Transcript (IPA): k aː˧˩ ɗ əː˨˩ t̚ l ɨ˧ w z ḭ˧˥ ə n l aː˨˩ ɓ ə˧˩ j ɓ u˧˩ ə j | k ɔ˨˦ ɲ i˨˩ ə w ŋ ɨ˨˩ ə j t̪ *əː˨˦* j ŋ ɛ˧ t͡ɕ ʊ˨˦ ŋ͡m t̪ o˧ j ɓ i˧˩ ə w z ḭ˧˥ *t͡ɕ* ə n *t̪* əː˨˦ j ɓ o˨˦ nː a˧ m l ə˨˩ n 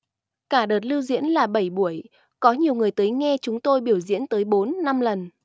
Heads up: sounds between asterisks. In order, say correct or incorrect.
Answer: correct, incorrect: none, correct

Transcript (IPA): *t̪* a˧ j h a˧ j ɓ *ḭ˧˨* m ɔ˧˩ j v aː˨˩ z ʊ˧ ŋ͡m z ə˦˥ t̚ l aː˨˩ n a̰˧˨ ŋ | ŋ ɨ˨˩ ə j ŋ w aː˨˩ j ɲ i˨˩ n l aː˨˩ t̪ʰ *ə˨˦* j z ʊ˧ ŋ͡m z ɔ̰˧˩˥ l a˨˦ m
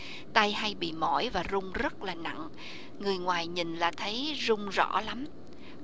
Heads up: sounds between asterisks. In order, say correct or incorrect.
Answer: correct, correct, correct

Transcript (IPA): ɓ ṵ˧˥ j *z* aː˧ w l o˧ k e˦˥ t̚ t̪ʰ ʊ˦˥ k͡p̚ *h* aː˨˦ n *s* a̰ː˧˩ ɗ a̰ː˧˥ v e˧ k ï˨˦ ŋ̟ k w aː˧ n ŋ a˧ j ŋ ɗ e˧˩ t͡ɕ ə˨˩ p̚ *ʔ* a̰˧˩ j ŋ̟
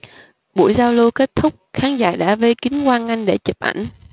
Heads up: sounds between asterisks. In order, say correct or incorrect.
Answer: correct, incorrect: x, incorrect: z, correct

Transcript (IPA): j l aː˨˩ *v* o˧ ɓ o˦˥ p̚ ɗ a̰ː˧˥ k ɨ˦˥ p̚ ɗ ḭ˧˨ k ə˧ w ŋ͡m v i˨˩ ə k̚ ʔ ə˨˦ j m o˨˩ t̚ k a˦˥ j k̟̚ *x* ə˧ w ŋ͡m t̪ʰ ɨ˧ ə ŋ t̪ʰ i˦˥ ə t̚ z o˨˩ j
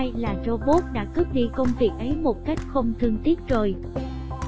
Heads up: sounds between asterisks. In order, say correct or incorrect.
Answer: incorrect: z, correct

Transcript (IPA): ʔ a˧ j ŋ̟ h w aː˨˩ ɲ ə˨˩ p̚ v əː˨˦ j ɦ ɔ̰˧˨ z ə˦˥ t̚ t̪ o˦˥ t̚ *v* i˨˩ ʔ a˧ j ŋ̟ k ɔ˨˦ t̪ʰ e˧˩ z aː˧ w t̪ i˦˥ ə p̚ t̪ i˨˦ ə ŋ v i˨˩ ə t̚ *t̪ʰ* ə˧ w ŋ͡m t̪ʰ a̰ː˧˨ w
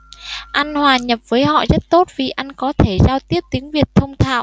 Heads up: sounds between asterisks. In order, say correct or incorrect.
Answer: correct, correct

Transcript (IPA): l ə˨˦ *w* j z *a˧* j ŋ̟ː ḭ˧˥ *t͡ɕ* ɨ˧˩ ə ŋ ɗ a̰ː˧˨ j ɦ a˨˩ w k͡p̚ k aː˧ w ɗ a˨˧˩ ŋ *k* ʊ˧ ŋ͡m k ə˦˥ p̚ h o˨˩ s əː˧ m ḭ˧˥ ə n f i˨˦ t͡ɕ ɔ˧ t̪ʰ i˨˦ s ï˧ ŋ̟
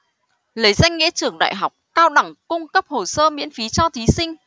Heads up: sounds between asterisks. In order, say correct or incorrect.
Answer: incorrect: none, correct, correct, correct

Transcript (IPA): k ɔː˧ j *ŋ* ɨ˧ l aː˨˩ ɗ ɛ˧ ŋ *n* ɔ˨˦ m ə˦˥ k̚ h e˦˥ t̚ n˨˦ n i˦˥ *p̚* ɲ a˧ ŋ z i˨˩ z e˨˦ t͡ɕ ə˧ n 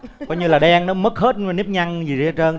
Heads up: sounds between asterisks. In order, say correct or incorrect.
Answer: incorrect: ɲ, correct, correct

